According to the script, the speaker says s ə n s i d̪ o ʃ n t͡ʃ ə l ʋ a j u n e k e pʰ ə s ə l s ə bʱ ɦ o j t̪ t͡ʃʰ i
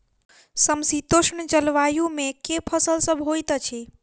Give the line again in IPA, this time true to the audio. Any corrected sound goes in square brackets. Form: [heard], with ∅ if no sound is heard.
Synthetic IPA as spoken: s ə [m] s i [t̪] o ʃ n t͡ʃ ə l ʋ a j u [m] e k e pʰ ə s ə l s ə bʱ ɦ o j t̪ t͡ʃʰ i